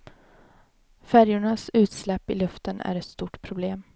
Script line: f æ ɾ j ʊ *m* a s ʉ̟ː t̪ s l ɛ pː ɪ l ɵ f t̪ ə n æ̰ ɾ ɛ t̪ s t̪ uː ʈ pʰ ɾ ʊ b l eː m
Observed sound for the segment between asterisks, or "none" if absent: ɳ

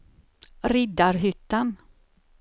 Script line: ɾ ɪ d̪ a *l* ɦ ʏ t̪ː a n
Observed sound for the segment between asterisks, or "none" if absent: ɾ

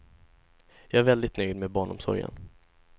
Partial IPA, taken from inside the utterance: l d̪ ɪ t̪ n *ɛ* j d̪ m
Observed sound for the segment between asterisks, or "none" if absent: œ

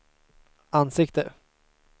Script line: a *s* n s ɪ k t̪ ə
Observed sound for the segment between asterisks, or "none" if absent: none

